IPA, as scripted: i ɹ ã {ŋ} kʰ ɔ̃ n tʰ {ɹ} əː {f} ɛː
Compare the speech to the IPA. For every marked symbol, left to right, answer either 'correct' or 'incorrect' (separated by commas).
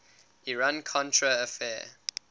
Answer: incorrect, correct, correct